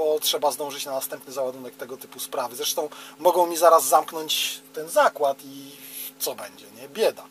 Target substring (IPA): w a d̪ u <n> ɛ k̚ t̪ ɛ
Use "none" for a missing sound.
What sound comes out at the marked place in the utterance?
n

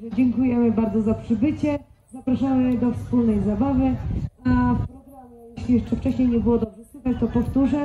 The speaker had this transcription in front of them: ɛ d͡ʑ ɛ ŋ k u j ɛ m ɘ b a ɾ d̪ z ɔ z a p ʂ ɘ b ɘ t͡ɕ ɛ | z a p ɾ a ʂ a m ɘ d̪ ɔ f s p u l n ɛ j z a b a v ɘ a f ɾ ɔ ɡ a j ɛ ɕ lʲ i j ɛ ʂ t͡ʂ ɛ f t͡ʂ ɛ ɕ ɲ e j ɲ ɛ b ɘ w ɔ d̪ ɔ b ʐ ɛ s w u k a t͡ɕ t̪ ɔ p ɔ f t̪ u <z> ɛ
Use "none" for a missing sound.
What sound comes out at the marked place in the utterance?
ʐ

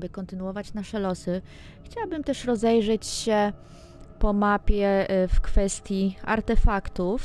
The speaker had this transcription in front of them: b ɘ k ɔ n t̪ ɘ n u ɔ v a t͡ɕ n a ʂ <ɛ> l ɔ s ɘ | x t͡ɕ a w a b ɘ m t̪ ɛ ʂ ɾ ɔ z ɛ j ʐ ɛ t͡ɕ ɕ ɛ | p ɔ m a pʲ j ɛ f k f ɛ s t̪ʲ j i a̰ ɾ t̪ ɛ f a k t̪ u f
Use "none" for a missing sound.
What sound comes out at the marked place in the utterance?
ɛ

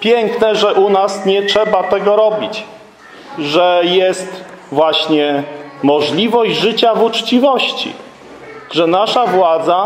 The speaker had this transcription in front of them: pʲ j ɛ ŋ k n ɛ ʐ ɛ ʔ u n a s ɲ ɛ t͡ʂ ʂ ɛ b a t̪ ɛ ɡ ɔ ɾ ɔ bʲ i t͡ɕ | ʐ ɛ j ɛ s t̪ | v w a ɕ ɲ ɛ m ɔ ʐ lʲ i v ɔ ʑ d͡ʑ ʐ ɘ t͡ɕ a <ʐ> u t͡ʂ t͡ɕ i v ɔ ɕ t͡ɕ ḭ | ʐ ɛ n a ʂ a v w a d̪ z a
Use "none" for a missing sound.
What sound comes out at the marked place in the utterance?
v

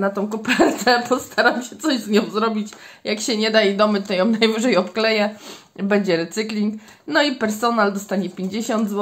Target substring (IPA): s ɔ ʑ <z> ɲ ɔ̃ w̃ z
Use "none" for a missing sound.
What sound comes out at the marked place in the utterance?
z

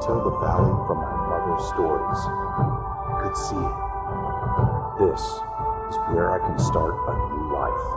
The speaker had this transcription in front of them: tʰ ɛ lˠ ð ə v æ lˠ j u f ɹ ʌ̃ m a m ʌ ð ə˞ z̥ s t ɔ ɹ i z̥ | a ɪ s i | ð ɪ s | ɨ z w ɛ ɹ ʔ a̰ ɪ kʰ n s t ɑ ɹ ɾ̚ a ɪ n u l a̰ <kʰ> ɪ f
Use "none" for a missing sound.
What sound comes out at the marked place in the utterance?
none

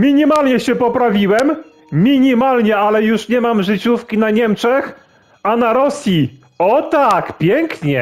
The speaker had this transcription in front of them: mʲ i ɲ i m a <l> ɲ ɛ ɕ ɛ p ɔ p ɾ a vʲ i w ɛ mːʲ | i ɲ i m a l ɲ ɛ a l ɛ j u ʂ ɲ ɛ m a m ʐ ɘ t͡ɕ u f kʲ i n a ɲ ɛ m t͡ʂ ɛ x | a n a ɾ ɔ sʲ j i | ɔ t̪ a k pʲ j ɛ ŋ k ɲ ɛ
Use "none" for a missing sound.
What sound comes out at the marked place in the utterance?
l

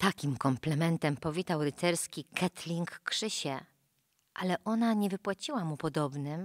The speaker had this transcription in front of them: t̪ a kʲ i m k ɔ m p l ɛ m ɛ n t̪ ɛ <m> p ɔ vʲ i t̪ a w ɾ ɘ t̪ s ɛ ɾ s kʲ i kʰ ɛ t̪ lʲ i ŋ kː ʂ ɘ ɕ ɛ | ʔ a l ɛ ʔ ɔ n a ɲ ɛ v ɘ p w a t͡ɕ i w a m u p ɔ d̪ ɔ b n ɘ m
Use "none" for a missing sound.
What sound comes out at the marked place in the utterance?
m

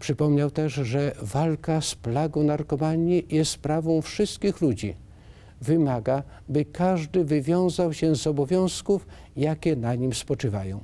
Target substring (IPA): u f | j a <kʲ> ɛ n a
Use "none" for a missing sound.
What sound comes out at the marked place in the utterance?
kʲ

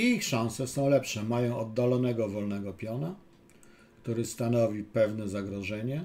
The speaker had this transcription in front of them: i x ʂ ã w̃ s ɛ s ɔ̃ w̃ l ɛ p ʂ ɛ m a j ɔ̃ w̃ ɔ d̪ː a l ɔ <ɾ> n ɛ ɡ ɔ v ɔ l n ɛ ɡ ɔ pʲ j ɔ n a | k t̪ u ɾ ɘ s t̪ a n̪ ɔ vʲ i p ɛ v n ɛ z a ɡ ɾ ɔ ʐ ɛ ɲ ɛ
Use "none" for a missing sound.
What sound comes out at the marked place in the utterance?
none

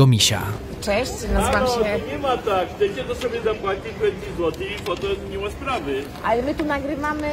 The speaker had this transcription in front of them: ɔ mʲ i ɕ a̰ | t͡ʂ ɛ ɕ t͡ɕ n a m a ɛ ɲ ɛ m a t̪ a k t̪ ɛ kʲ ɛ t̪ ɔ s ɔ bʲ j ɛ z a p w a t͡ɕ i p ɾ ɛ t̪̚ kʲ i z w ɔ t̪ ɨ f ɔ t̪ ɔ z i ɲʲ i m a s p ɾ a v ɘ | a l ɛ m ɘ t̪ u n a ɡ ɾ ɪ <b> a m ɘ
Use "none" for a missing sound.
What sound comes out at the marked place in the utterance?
v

